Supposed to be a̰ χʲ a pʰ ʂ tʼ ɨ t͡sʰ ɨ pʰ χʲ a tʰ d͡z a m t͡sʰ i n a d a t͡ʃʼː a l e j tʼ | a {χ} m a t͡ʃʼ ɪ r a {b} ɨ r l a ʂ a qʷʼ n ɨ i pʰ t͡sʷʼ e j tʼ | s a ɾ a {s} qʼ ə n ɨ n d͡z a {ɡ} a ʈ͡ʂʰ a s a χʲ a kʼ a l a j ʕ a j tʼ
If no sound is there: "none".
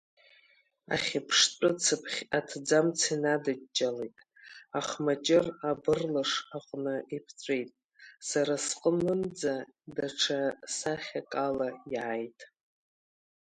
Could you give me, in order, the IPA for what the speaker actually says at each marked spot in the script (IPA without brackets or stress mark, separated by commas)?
χ, b, s, d